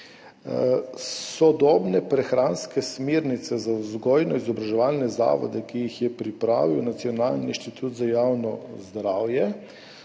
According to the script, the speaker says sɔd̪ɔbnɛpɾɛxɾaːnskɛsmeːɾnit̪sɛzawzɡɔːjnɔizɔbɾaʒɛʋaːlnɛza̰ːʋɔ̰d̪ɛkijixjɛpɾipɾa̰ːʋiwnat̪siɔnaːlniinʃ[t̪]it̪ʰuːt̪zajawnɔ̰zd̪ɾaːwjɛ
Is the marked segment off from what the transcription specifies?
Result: no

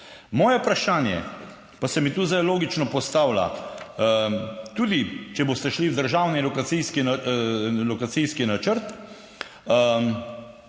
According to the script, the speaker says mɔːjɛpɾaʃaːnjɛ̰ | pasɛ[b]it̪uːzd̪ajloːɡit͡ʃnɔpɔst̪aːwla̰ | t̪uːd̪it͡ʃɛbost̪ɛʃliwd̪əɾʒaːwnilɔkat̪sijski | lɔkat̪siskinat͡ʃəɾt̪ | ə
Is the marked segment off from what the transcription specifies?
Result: yes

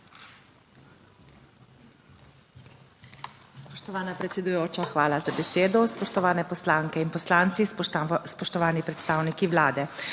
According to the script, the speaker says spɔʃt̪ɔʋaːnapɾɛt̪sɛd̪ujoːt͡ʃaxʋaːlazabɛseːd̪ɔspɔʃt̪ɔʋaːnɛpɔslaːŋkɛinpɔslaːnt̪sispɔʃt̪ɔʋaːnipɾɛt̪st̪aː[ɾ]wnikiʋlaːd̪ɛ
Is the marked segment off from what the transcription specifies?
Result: yes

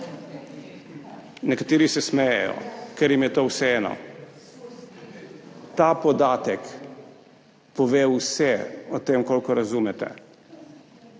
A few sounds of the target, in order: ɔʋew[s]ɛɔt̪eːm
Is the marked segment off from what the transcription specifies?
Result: no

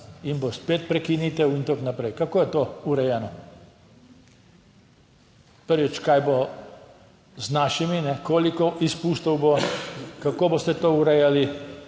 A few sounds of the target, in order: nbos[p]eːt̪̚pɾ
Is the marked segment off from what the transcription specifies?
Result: no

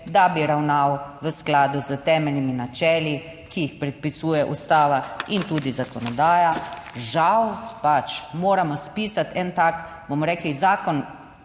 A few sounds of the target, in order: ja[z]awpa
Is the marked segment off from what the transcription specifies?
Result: yes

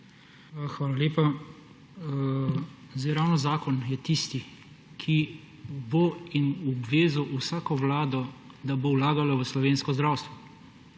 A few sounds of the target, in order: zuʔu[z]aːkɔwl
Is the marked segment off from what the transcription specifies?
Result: yes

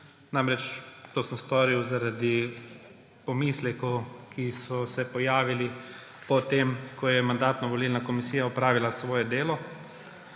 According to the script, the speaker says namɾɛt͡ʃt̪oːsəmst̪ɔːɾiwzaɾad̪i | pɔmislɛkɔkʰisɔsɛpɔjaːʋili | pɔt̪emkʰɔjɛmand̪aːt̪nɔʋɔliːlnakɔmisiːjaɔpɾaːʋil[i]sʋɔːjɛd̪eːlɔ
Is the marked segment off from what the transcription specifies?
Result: yes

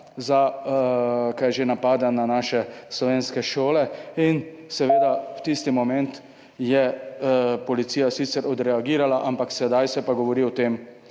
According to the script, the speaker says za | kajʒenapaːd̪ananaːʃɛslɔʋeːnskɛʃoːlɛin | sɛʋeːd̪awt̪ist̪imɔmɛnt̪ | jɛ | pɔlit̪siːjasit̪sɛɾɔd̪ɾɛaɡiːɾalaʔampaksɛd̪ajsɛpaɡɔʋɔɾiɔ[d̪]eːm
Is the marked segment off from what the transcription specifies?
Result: yes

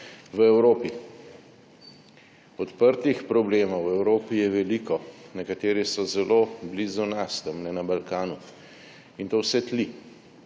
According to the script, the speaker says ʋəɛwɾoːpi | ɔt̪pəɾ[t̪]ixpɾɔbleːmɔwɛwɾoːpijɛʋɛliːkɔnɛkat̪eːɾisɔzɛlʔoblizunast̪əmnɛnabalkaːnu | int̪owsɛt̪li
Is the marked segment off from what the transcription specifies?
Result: no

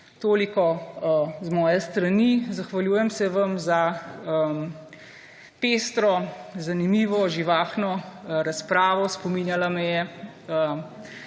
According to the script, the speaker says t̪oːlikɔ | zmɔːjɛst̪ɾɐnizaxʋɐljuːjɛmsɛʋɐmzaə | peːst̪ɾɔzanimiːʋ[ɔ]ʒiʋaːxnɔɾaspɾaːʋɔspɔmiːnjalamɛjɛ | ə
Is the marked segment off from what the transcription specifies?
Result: no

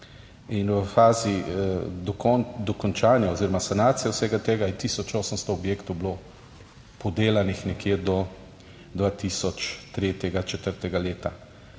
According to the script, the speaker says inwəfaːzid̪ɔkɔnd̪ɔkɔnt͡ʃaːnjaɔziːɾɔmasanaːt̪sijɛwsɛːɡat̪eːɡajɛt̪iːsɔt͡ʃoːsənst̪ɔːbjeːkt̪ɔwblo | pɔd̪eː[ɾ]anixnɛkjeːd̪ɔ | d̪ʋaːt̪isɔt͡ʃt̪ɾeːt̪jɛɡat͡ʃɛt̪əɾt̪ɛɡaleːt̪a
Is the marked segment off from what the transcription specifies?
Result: yes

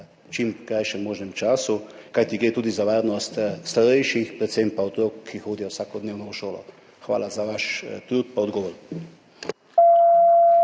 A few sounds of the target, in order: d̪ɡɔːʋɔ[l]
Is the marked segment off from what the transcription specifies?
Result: yes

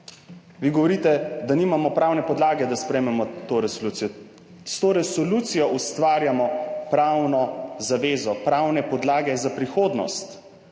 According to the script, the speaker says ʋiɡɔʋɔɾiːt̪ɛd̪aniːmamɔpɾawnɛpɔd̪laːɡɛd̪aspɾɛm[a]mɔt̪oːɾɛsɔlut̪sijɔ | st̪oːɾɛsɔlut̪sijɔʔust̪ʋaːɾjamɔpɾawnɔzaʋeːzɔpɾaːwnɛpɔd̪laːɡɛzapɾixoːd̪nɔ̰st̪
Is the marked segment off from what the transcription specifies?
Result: yes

